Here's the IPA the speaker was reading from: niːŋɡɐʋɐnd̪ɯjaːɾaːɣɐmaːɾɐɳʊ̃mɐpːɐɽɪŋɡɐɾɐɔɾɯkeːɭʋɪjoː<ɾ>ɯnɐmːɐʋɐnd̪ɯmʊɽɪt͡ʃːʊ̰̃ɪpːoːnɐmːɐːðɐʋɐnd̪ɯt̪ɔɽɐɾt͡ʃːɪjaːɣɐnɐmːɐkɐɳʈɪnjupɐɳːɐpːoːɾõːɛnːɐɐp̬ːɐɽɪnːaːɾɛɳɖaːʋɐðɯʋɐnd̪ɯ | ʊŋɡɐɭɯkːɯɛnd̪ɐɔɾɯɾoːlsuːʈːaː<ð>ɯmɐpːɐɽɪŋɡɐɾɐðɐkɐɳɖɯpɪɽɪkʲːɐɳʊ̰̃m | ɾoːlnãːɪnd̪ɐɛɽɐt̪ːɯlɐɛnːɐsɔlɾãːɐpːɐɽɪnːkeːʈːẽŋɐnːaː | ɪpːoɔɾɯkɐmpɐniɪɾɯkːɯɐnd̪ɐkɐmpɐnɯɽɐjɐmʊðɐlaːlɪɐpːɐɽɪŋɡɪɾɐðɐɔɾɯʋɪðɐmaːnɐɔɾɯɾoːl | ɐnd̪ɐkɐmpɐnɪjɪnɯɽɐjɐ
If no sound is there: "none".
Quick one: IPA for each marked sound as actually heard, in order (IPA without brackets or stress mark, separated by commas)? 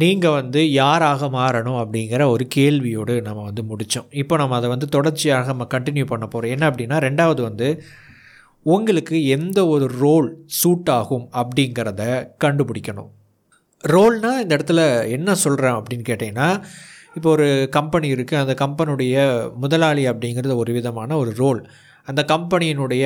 ɽ, ɣ